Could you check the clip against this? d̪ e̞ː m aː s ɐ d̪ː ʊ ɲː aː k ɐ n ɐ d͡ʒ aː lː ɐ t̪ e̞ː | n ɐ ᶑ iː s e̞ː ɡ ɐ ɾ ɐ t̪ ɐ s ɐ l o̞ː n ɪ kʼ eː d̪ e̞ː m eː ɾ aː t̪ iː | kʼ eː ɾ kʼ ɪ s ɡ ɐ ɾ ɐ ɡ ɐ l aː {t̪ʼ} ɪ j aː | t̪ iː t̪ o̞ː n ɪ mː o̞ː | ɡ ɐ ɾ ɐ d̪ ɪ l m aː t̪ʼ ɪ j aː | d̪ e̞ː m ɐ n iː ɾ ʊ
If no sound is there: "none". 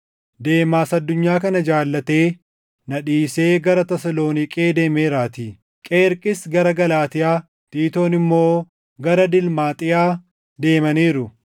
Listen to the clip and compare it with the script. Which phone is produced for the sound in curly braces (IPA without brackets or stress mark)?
t̪